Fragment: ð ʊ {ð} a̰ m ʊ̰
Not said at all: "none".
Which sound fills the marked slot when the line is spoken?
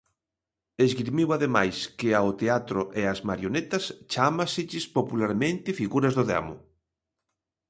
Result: ð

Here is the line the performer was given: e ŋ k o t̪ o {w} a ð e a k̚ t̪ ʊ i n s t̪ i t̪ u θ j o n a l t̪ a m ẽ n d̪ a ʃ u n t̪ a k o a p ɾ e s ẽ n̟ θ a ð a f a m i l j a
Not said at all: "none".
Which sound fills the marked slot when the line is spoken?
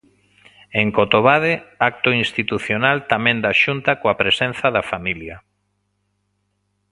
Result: β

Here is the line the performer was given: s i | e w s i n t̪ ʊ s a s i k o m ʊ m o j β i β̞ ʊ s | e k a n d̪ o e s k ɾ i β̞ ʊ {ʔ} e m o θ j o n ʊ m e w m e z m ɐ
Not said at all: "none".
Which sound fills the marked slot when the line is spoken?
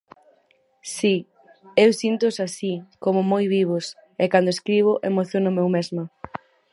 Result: ʔ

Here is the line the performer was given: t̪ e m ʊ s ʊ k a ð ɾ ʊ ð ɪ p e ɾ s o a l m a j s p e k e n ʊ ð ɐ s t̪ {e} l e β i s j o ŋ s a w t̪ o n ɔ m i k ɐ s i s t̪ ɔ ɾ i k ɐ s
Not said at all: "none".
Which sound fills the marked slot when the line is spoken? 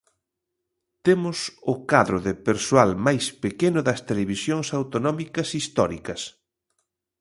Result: e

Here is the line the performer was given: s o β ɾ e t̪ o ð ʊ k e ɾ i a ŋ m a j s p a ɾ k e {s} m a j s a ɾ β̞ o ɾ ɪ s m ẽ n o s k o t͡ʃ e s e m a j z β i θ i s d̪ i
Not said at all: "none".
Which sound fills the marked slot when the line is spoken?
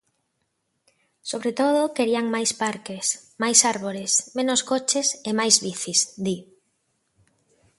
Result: s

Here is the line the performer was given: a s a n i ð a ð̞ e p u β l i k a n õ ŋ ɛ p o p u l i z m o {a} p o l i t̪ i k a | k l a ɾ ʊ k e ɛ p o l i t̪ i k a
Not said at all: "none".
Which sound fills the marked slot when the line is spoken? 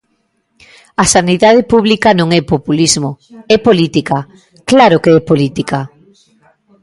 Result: ɛ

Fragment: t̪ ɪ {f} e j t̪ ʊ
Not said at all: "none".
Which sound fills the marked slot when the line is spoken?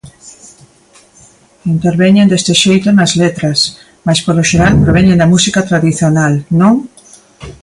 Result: ʃ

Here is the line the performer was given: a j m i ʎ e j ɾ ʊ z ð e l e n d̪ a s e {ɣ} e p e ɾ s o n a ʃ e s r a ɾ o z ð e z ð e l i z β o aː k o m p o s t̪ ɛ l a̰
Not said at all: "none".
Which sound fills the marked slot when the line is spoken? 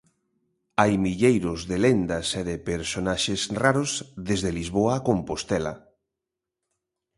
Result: ð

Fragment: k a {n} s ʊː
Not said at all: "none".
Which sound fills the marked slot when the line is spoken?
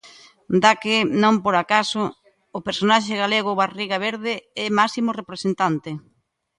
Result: none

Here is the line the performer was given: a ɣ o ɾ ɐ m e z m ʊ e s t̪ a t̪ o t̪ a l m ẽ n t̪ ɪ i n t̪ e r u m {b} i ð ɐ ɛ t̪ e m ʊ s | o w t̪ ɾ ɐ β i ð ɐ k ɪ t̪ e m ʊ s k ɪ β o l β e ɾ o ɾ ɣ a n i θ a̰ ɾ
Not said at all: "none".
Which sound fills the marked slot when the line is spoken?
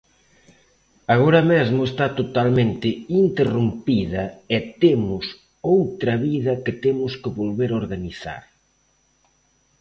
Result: p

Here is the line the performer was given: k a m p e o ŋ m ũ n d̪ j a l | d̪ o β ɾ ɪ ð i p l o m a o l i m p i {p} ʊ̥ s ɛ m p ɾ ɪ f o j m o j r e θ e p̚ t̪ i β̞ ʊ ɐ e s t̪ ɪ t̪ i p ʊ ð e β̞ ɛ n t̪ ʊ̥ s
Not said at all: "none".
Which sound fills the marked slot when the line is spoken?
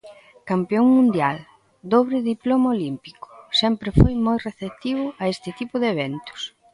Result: k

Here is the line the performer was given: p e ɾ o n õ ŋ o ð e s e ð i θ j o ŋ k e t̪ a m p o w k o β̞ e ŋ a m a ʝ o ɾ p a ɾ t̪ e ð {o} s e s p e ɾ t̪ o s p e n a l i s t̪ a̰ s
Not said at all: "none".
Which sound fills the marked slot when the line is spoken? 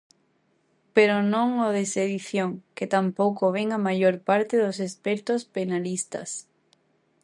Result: o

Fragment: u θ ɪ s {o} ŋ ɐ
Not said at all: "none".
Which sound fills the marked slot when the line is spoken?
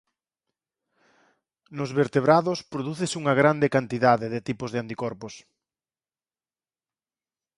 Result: u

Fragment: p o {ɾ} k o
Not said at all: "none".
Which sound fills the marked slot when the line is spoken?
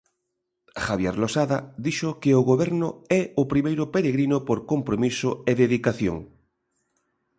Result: ɾ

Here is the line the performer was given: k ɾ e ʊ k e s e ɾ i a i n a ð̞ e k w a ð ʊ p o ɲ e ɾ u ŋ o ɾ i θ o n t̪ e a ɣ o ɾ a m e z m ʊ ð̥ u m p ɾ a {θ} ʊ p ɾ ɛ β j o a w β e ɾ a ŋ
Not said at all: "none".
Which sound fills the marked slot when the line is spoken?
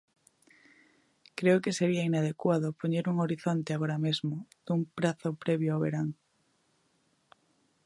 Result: θ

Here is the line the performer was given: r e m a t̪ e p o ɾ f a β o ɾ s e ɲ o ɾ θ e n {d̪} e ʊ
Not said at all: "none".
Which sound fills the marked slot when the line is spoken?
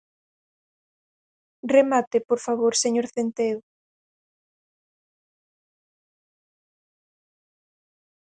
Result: t̪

